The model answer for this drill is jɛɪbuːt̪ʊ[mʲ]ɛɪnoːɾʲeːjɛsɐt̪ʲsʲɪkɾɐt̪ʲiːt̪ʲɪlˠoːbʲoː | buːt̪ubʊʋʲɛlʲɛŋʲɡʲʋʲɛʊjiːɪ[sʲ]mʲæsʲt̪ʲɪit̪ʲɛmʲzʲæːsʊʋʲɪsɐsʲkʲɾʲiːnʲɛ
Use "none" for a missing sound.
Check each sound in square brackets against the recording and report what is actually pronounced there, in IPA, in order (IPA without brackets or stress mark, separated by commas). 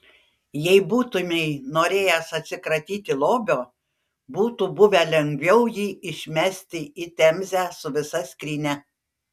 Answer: mʲ, ʃʲ